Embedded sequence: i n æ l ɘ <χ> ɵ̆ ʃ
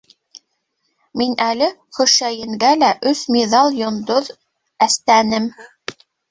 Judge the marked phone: correct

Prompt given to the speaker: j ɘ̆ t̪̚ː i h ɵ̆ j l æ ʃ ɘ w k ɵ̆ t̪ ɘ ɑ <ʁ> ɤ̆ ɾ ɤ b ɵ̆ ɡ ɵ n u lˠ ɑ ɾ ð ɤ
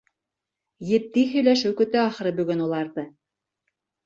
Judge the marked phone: incorrect: χ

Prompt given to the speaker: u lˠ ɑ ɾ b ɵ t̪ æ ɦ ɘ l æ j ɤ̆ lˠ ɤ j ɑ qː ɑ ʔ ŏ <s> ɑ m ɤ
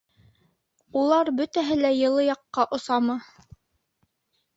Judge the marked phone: correct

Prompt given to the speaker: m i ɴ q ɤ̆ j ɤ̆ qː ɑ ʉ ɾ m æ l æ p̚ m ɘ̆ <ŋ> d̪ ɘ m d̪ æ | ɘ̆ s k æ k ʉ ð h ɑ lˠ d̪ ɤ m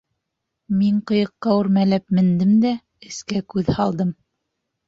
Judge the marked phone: incorrect: n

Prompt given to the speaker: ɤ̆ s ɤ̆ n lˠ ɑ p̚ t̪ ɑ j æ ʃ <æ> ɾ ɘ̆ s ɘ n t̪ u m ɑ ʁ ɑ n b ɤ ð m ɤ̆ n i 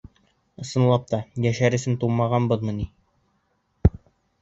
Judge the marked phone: correct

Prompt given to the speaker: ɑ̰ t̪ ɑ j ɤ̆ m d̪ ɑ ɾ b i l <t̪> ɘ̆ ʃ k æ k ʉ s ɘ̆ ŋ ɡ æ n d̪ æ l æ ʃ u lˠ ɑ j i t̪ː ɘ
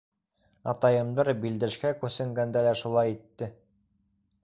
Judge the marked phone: incorrect: d̪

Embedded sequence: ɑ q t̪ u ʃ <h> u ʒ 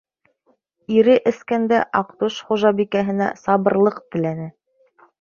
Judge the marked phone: incorrect: χ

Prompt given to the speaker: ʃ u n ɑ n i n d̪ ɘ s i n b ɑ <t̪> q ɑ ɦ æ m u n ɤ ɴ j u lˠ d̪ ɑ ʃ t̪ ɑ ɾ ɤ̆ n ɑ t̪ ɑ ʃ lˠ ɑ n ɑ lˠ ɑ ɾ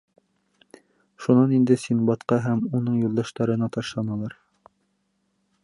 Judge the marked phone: correct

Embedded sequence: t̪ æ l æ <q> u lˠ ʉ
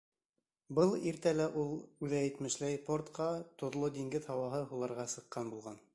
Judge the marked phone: incorrect: ʔ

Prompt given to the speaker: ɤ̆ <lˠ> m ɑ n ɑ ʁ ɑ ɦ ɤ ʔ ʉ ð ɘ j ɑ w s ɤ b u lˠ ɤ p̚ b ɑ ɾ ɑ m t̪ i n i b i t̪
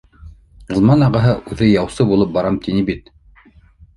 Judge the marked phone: correct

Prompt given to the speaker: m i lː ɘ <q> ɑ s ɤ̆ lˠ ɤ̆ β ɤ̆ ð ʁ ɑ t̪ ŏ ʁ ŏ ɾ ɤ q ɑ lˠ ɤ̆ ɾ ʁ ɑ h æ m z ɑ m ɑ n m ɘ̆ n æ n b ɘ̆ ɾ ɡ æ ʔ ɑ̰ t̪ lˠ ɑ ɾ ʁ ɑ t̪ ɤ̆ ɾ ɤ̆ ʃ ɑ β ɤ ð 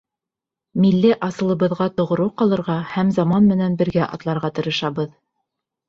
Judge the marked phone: incorrect: ʔ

